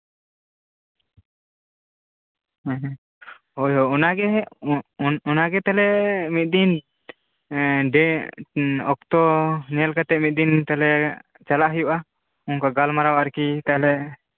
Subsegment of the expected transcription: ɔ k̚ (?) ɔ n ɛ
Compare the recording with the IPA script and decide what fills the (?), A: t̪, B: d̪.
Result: A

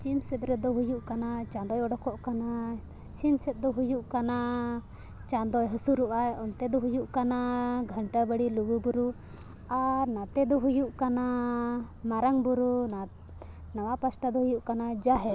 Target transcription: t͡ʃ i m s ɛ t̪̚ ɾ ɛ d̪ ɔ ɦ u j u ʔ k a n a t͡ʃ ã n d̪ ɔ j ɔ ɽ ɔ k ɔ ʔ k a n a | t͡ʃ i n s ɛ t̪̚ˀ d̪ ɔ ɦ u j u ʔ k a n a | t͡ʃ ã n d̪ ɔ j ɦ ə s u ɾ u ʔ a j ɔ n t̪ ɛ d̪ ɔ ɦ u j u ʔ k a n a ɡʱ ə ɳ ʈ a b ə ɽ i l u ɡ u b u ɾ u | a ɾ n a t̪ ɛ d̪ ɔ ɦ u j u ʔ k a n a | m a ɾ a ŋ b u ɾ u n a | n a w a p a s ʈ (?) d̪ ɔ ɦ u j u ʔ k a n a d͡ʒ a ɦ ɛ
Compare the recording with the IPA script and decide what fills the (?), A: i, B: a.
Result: B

